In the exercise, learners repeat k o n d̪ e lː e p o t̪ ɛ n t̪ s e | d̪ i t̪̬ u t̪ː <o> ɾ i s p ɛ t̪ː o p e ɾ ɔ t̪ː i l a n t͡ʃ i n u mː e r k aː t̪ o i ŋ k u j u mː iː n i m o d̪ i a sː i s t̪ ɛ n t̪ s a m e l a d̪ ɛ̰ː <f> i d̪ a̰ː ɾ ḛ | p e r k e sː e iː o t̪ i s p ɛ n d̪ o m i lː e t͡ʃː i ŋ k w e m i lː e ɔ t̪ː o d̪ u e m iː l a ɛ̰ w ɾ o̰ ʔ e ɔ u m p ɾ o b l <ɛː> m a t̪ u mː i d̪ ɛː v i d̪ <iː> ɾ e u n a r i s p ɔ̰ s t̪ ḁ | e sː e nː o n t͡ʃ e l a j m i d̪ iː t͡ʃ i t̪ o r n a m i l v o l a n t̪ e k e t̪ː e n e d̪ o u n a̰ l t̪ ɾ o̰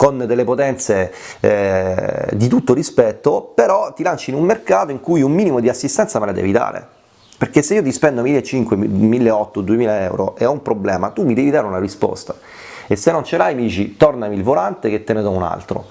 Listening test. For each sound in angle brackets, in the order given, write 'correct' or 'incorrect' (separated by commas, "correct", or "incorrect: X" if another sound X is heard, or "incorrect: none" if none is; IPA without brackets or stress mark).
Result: correct, incorrect: v, correct, incorrect: aː